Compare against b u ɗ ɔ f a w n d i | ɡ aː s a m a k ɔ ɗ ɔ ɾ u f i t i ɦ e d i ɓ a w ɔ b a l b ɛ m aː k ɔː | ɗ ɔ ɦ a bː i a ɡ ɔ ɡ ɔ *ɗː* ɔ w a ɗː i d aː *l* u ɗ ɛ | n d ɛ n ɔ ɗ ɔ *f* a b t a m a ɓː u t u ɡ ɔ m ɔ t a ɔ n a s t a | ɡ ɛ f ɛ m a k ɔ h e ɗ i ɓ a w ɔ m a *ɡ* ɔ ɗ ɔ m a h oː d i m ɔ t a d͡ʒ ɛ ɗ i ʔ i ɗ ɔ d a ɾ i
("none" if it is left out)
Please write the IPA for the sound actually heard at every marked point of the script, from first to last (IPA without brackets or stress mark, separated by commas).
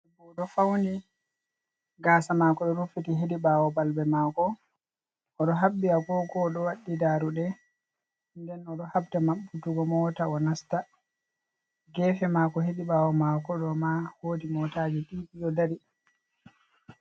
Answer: ɗ, ɾ, h, k